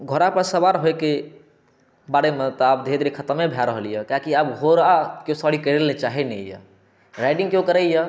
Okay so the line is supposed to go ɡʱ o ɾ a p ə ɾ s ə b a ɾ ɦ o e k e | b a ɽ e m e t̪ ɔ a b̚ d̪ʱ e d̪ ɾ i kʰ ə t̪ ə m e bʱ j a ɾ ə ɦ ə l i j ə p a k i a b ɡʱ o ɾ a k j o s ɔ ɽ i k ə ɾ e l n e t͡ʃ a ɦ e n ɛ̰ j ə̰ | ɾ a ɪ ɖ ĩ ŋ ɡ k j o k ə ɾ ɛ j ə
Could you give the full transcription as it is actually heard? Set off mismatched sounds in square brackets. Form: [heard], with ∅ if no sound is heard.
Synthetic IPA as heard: ɡʱ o ɾ a p ə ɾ s ə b a ɾ ɦ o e k e | b a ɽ e m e t̪ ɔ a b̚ d̪ʱ e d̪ ɾ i kʰ ə t̪ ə m e bʱ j a ɾ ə ɦ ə l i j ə [k] a k i a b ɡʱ o ɾ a k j o s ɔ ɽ i k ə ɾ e l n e t͡ʃ a ɦ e n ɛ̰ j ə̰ | ɾ a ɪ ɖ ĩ ŋ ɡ k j o k ə ɾ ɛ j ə